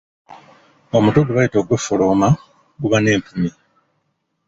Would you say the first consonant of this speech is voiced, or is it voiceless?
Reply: voiced